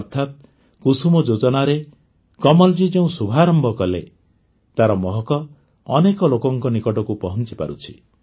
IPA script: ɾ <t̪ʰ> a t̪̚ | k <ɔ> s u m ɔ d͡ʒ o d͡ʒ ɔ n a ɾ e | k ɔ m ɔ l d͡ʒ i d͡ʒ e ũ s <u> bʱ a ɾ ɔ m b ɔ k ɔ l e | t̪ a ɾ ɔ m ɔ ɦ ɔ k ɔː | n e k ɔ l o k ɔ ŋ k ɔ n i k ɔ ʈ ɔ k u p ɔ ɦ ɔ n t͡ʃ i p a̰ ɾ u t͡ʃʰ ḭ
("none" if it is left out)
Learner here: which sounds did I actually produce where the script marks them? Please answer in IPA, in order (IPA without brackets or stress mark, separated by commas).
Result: t̪ʰ, u, u